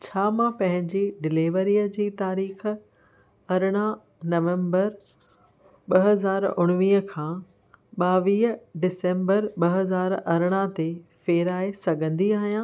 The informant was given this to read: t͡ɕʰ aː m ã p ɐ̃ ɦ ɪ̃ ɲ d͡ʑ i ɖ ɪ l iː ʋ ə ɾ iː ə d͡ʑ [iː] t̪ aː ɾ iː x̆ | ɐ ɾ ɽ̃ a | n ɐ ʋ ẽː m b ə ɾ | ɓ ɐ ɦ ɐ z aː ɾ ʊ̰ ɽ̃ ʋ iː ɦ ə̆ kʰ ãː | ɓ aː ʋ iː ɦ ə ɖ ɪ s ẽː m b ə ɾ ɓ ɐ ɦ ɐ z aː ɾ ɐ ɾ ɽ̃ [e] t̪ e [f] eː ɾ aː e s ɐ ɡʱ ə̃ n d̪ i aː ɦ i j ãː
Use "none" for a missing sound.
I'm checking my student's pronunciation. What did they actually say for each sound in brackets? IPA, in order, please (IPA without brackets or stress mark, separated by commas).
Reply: iː, a, f